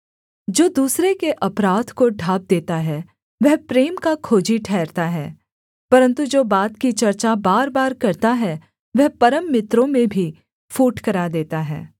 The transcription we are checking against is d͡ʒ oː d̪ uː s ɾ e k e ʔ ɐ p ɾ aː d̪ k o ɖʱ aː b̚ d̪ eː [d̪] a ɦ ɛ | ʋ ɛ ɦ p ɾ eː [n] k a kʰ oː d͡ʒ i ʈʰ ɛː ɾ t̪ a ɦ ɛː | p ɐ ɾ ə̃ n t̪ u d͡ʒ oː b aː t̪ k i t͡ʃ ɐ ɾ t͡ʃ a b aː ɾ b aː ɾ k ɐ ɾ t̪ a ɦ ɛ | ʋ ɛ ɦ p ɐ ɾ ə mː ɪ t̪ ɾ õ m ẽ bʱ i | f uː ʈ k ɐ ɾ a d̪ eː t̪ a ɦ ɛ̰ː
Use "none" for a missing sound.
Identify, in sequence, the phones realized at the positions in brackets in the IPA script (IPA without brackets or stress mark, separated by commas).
t̪, m